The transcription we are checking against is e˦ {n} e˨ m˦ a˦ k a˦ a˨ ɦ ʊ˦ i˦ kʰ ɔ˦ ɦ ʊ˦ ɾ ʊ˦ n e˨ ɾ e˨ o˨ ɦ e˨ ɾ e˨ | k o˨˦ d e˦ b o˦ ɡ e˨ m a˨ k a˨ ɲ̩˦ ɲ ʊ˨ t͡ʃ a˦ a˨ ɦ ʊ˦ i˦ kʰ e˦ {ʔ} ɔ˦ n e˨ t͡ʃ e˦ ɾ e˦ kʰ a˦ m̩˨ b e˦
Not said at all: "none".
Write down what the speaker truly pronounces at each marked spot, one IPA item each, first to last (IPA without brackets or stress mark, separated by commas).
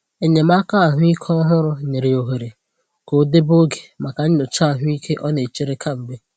ɲ, ʔ